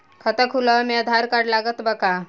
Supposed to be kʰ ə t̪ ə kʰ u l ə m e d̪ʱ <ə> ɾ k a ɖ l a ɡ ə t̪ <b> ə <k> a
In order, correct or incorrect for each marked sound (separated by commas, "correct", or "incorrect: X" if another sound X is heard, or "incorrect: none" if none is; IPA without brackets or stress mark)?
incorrect: a, correct, correct